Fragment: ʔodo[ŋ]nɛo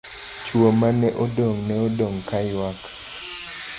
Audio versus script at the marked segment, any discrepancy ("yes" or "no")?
no